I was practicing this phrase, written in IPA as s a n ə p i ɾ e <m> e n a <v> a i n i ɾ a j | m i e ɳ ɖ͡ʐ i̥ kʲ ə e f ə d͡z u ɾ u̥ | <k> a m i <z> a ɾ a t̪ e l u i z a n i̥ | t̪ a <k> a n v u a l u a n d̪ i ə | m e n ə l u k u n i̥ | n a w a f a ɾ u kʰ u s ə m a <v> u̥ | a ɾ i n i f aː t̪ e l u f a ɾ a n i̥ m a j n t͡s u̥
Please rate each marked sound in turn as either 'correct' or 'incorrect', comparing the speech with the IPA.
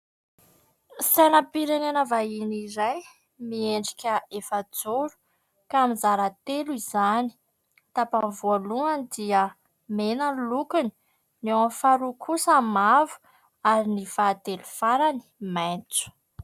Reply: incorrect: n, correct, correct, correct, incorrect: p, correct

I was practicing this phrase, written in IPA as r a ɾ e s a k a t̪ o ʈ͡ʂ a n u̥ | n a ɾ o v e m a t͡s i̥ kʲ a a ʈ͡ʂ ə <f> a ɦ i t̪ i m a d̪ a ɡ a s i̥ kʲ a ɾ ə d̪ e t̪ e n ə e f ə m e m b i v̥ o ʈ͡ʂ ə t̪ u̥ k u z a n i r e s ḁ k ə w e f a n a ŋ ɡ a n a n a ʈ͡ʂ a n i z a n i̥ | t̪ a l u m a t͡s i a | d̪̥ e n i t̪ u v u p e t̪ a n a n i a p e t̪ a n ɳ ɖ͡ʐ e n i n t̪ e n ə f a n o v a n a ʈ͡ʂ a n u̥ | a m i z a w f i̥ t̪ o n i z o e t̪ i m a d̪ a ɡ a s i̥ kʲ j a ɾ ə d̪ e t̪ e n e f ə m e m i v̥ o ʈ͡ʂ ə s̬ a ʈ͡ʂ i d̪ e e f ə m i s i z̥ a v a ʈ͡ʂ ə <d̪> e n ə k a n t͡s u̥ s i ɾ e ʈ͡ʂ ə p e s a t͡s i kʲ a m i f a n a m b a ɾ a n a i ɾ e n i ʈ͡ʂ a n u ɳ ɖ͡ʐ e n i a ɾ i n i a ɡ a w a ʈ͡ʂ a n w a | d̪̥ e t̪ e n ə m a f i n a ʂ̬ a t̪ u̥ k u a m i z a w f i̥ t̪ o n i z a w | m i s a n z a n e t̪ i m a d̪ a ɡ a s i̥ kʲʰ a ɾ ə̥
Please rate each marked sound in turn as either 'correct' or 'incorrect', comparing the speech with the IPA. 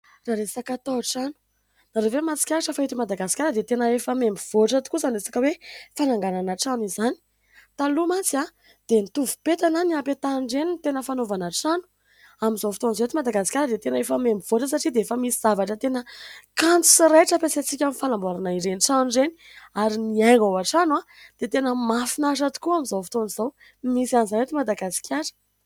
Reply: correct, incorrect: t̪

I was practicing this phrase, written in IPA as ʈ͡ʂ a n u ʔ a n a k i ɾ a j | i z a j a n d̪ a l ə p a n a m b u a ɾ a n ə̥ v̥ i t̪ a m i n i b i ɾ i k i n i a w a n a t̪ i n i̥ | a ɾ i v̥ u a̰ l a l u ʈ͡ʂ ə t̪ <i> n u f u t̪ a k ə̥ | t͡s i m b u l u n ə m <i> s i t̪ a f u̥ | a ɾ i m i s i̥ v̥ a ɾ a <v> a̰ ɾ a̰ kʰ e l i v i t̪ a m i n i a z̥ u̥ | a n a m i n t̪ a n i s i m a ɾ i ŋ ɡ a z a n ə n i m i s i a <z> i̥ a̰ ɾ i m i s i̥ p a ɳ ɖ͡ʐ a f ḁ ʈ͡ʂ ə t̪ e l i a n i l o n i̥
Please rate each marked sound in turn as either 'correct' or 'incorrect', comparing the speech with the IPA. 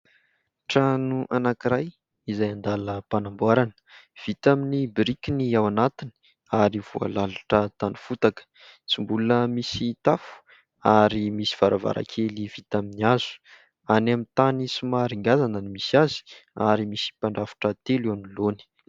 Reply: incorrect: a, correct, correct, correct

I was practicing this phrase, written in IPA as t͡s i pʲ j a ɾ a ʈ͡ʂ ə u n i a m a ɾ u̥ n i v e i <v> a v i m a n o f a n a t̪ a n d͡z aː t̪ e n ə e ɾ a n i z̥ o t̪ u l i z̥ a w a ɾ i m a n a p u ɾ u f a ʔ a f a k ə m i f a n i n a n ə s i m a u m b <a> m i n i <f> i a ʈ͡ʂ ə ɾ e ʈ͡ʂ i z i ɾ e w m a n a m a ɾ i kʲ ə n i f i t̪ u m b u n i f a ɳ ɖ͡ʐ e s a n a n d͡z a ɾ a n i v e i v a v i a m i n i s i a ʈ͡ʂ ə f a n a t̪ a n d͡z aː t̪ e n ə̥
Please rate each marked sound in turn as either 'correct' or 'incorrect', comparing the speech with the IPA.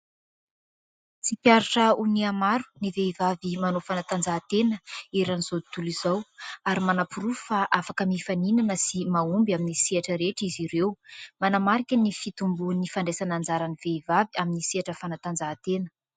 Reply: correct, correct, incorrect: s

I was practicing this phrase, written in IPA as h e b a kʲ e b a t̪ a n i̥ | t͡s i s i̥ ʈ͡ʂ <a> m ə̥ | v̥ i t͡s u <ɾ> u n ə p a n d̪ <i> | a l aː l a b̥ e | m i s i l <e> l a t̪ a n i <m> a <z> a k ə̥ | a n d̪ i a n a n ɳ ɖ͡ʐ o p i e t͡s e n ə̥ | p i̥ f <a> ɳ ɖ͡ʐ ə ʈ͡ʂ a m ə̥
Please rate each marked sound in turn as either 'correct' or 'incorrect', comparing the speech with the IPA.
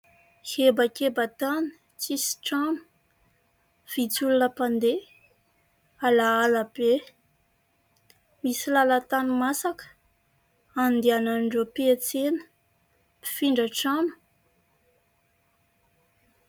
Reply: correct, incorrect: l, incorrect: e, incorrect: a, correct, incorrect: s, incorrect: i

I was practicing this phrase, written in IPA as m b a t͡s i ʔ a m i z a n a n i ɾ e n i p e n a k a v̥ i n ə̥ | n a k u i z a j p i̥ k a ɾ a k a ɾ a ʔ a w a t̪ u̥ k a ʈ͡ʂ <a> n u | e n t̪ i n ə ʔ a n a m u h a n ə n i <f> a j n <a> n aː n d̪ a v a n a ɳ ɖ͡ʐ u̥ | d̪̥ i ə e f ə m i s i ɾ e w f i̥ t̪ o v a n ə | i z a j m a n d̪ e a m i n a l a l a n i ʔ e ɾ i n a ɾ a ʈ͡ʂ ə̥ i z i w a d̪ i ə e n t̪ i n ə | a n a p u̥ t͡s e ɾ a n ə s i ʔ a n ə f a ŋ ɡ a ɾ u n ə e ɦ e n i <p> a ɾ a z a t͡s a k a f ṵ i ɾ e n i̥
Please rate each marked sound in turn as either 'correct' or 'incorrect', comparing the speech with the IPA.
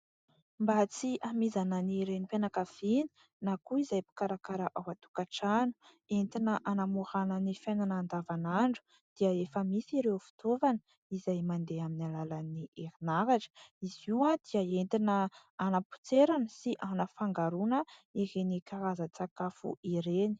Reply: correct, correct, correct, incorrect: k

